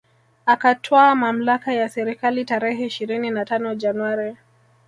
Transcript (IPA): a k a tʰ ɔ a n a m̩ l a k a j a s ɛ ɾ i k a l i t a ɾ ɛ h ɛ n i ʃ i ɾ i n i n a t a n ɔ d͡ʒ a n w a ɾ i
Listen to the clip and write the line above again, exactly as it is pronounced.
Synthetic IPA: a k a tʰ ɔ a m a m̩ l a k a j a s ɛ ɾ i k a l i t a ɾ ɛ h ɛ i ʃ i ɾ i n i n a t a n ɔ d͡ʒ a n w a ɾ i